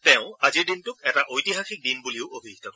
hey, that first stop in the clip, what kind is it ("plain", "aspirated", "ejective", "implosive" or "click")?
plain